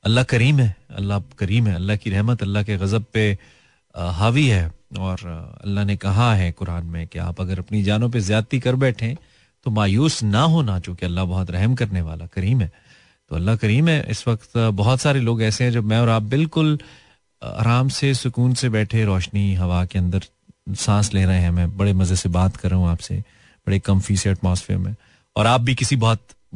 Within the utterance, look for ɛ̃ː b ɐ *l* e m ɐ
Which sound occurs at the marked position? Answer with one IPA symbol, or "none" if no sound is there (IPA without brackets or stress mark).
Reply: ɽ